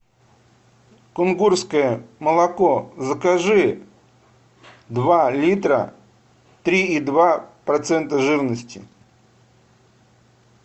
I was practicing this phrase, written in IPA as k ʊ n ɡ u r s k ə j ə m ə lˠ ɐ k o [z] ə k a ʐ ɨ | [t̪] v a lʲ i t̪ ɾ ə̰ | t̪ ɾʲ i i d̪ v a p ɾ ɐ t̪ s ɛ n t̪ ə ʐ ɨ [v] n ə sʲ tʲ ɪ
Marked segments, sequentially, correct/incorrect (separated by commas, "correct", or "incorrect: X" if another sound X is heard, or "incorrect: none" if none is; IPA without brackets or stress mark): correct, incorrect: d̪, correct